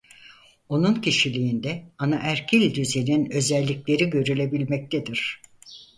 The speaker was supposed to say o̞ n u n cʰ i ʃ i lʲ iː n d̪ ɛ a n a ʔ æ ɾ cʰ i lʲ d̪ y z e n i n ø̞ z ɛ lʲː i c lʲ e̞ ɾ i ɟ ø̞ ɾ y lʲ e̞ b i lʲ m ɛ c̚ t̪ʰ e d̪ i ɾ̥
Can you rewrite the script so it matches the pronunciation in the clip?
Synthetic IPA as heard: o̞ n u n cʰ i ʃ i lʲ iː n d̪ ɛ a n a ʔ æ ɾ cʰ i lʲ d̪ y z e n i n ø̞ z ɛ lʲː i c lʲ e̞ ɾ i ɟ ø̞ ɾ y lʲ e̞ b i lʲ m ɛ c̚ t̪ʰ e d̪ i ɾ̥